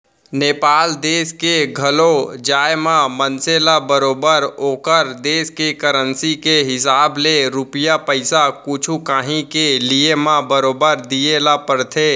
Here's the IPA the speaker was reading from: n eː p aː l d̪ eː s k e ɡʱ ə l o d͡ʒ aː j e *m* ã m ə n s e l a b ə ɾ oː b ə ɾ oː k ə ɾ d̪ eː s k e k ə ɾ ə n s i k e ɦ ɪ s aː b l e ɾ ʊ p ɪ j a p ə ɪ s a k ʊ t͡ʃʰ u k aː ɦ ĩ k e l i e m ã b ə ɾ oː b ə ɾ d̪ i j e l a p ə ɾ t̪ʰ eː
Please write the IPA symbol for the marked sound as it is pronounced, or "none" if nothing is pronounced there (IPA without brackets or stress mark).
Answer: m